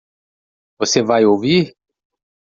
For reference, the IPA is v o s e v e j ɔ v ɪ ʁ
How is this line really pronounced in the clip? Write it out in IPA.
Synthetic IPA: v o s e v a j o v i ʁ